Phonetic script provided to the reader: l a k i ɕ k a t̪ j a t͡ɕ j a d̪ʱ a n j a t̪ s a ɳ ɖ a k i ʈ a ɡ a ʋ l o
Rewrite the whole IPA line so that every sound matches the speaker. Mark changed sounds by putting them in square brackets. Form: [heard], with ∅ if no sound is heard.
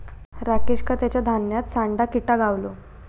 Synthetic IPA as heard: [ɾ] a k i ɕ k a t̪ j a t͡ɕ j a d̪ʱ a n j a t̪ s a ɳ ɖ a k i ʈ a ɡ a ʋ l o